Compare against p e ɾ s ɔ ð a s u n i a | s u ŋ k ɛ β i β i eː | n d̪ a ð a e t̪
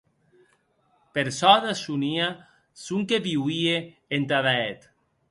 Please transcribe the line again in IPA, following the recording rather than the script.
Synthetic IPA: p e ɾ s ɔ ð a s u n i a | s u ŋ k e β i w i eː | n t̪ a ð a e t̪

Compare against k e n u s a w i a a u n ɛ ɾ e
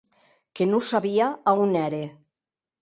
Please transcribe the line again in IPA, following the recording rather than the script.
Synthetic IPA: k e n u s a β i a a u n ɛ ɾ e

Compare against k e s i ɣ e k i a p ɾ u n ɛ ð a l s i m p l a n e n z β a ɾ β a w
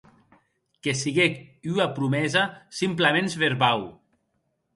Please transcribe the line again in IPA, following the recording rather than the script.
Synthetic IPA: k e s i ɣ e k y a p ɾ u m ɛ z a s i m p l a m e n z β e ɾ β a w

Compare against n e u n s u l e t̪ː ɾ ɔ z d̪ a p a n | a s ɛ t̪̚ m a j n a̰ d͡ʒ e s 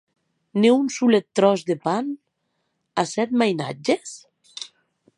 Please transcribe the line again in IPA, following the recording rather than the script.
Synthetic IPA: n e u n s u l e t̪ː ɾ ɔ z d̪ e p a n | a s ɛ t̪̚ m a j n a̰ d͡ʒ e s

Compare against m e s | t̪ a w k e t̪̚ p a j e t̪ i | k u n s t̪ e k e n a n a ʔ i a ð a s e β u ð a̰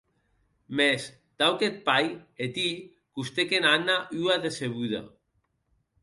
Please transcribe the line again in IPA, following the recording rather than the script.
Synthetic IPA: m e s | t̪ a w k e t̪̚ p a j e t̪ i | k u s t̪ e k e n a n a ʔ y a ð e s e β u ð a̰

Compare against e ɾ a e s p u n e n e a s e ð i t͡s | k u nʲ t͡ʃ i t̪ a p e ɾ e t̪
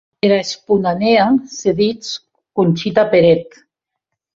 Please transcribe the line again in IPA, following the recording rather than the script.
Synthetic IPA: e ɾ a e s p u n a n e a s e ð i t͡s | k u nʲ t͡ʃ i t̪ a p e ɾ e t̪

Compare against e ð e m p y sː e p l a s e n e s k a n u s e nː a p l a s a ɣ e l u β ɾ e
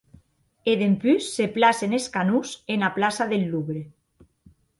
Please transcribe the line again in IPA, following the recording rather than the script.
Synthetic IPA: e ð e m p y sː e p l a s e n e s k a n u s e n a p l a s a ð e lː u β ɾ e

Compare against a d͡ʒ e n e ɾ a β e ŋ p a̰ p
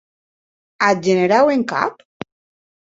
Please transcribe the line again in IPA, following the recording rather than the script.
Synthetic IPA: a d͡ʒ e n e ɾ a w e ŋ k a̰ p

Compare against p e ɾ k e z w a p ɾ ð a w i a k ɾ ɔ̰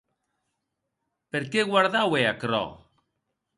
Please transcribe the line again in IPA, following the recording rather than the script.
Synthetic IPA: p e ɾ k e ɣ w a ɾ ð a w e a k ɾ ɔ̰

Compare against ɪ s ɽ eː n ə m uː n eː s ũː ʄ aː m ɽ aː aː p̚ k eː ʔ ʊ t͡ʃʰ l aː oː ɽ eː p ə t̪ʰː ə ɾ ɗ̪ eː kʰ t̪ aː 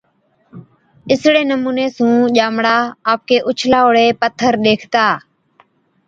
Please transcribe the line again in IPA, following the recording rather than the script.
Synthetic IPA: ɪ s ɽ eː n ə m uː n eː s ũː ʄ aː m ɽ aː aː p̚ k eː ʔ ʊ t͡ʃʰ l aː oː ɽ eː p ə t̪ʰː ə ɾ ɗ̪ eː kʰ t̪ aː

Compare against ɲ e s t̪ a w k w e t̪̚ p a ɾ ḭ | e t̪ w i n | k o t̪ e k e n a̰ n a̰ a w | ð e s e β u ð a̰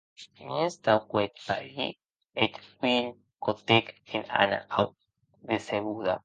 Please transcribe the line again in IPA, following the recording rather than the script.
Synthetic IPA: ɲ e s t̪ a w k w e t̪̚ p a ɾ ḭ | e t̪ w i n | k o t̪ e k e n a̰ n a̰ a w | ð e s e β u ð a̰

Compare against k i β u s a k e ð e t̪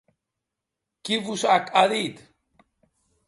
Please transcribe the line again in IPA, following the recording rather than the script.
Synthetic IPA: k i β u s a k a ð i t̪

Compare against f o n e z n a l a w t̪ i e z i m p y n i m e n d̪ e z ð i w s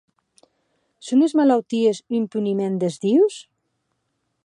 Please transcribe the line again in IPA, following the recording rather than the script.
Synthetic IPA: s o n e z m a l a w t̪ i e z i m p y n i m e n d̪ e z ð i w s

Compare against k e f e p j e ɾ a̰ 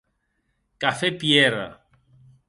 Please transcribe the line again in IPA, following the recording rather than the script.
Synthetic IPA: k a f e p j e ɾ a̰

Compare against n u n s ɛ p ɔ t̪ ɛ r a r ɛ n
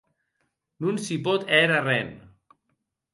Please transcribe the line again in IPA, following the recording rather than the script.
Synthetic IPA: n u n s i p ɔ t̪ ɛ ɾ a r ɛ n

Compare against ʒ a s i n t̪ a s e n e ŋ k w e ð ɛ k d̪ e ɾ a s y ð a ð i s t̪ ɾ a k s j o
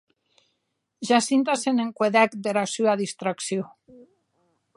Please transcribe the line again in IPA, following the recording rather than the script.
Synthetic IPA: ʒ a s i n t̪ a s e n e ŋ k w e ð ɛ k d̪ e ɾ a s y a ð i s t̪ ɾ a k s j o

